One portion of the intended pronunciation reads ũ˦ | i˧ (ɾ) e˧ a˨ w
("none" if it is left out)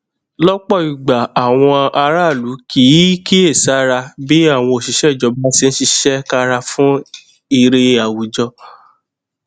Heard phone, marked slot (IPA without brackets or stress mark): ɾ